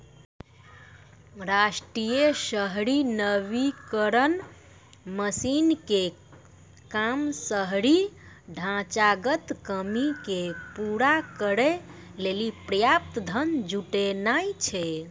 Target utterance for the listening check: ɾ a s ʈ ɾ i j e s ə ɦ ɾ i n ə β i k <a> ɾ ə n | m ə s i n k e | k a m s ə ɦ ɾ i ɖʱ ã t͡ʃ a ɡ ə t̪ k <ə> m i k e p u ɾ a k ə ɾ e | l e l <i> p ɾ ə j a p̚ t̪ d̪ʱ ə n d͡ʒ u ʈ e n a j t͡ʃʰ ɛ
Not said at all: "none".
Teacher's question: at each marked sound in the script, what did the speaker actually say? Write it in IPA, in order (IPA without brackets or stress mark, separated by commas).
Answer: ə, ə, i